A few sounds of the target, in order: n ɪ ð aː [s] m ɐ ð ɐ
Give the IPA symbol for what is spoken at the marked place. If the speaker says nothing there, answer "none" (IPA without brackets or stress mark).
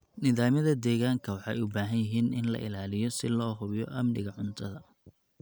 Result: none